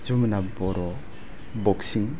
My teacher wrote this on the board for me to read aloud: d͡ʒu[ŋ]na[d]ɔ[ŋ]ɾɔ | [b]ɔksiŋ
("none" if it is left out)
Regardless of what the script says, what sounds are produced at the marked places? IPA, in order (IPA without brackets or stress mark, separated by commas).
m, b, none, b